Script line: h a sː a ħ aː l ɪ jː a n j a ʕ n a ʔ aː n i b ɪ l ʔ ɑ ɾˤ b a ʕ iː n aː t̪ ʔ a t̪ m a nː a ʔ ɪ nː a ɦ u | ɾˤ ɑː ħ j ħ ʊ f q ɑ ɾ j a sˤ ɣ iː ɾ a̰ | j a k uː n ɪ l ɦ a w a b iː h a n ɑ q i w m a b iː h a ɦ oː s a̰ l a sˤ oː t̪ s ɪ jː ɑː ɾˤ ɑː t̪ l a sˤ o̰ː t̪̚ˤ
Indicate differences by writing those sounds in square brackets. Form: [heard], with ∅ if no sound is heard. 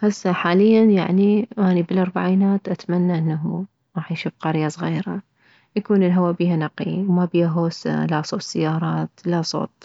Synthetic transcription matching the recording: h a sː a ħ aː l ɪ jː a n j a ʕ n [i] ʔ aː n i b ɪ l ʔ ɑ ɾˤ b a ʕ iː n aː t̪ ʔ a t̪ m a nː a ʔ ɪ nː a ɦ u | ɾˤ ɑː ħ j [ʃ] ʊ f q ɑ ɾ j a sˤ ɣ iː ɾ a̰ | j a k uː n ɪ l ɦ a w a b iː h a n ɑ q i w m a b iː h a ɦ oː s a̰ l a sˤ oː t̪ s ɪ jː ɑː ɾˤ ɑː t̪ l a sˤ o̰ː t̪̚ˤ